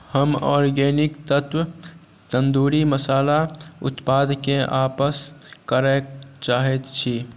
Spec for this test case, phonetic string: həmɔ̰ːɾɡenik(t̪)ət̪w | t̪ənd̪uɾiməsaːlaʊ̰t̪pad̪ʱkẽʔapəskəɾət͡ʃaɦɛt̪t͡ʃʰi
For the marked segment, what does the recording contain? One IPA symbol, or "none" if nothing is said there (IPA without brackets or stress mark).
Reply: t̪